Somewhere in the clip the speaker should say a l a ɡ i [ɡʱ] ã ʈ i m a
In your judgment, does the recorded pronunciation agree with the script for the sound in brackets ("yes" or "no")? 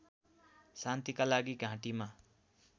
yes